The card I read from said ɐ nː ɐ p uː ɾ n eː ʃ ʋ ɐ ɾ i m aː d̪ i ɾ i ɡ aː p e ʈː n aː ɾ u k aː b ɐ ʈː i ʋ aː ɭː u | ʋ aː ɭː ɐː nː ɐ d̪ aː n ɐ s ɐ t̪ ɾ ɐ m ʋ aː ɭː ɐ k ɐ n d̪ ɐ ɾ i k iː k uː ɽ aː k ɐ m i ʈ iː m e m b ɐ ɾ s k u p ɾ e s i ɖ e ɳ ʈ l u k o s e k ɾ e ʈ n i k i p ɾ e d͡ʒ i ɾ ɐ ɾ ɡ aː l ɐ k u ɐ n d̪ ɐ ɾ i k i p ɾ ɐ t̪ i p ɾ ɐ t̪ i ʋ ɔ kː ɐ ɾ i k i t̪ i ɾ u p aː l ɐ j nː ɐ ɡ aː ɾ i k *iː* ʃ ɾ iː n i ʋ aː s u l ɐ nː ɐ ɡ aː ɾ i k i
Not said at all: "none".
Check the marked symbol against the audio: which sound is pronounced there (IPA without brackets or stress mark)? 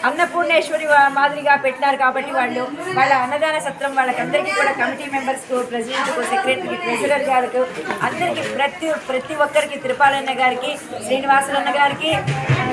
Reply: i